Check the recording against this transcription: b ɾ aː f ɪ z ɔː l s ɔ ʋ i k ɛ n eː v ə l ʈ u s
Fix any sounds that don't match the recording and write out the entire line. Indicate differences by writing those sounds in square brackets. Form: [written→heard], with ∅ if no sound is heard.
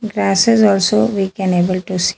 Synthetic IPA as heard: [b→ɡ] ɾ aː [f→s] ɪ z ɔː l s [ɔ→o] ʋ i k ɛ n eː [v→b] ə l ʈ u s